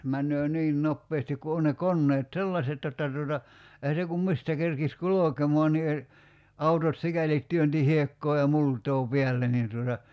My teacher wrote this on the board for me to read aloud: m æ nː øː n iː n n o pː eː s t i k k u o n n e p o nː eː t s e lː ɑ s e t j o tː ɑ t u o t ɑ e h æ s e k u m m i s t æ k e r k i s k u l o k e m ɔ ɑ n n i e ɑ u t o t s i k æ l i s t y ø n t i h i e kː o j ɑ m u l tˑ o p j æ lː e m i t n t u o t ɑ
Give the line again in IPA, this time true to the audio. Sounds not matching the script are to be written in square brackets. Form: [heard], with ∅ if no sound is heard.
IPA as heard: m æ nː øː n iː n n o pː eː s t i k k u o n n e [k] o nː eː t s e lː ɑ s e t j o tː ɑ t u o t ɑ e h æ s e k u m m i s t æ k e r k i s k u l o k e m ɔ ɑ n n i e ɑ u t o t s i k æ l i [t] t y ø n t i h i e kː [oː] j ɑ m u l tˑ [oː] p [i] æ lː e [n] i [∅] n t u o t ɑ